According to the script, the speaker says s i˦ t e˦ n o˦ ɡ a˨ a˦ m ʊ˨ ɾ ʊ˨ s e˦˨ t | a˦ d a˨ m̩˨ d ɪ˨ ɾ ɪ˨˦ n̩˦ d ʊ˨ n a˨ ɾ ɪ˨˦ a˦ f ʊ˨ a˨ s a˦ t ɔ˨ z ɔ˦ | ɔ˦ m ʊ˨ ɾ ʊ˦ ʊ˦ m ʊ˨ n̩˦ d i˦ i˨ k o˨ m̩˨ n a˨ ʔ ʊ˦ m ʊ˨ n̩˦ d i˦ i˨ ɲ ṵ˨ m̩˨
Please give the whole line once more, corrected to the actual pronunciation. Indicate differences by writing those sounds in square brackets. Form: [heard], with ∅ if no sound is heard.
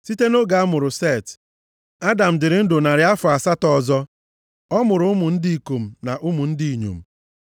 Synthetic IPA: s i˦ t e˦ n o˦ ɡ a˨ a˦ m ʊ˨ ɾ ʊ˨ s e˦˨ t | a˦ d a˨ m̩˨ d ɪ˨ ɾ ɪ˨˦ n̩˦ d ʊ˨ n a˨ ɾ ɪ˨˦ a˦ f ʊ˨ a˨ s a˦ t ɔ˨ z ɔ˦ | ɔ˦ m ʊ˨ ɾ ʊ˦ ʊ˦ m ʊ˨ n̩˦ d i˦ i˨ k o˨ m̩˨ n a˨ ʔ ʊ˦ m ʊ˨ n̩˦ d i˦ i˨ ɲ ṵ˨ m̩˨